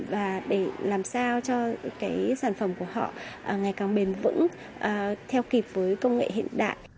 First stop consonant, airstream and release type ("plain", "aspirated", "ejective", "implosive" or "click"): implosive